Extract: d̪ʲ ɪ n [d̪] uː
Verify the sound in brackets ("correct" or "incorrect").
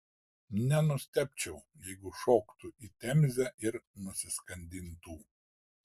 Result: incorrect